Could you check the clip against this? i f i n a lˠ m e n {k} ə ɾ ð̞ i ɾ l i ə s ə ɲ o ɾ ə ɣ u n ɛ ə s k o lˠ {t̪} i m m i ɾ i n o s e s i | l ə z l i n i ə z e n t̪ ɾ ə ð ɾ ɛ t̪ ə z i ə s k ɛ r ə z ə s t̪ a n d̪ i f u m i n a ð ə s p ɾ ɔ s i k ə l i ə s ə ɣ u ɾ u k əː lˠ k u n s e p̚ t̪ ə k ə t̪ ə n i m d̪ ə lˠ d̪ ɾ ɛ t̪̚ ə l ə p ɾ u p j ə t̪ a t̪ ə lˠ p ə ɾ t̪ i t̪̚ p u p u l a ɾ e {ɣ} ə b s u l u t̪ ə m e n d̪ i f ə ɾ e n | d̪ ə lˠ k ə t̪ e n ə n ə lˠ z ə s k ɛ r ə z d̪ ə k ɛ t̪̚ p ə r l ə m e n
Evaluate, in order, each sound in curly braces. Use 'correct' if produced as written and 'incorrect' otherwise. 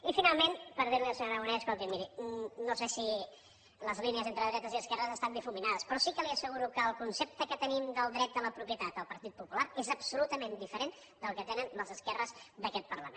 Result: incorrect, correct, incorrect

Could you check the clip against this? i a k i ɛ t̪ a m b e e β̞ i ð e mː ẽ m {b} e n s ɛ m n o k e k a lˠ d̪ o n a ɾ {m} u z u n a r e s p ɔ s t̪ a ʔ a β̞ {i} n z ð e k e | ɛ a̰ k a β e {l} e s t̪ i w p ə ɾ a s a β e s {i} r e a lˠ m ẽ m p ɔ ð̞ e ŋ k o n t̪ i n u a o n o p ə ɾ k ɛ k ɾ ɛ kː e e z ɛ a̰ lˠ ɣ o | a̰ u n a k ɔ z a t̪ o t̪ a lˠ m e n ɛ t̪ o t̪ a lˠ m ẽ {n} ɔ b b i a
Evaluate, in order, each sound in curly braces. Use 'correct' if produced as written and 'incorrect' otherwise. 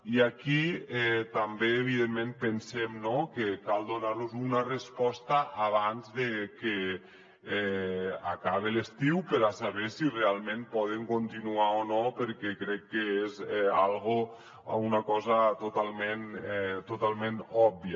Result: incorrect, incorrect, incorrect, correct, correct, correct

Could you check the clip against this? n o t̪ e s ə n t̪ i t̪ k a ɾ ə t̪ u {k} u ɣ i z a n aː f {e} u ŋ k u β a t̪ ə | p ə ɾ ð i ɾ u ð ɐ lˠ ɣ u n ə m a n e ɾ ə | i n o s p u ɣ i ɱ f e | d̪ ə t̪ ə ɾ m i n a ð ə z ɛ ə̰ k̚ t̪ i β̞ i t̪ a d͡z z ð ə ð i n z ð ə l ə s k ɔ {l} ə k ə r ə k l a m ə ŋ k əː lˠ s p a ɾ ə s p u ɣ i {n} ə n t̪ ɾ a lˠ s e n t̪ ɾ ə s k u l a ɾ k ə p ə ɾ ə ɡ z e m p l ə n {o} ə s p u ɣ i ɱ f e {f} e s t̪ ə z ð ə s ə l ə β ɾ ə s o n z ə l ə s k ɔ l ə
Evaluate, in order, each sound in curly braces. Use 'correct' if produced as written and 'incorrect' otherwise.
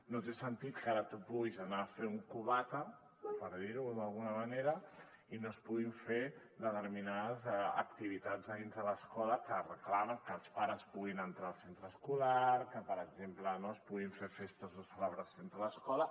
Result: incorrect, correct, correct, correct, correct, correct

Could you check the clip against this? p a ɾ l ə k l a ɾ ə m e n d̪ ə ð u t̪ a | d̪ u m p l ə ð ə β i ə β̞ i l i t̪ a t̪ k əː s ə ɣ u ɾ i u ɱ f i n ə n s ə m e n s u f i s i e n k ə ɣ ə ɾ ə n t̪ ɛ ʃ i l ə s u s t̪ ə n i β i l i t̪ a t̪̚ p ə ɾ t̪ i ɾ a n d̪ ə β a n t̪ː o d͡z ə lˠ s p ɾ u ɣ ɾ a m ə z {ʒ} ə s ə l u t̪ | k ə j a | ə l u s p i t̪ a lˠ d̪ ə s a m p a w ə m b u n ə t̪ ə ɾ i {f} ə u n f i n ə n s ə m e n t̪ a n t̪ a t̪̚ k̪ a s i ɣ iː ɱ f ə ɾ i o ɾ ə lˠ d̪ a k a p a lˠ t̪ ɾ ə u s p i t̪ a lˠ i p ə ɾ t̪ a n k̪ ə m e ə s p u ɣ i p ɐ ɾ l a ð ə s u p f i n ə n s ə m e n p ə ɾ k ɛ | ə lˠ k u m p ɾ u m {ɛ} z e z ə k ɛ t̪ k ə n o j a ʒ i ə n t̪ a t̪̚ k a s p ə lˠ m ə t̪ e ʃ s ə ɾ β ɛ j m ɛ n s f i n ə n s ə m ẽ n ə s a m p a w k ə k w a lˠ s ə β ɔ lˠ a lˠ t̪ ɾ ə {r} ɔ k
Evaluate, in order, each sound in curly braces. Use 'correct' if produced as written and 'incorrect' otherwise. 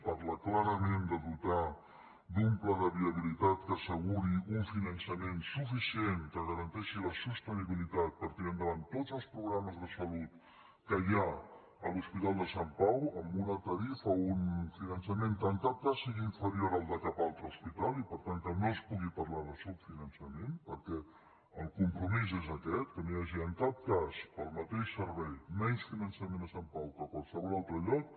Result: incorrect, correct, incorrect, incorrect

